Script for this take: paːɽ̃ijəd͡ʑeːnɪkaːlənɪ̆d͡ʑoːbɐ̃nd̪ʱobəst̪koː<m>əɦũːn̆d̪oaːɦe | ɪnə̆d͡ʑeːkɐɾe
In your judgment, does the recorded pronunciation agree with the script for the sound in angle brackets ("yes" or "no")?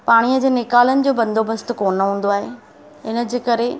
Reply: no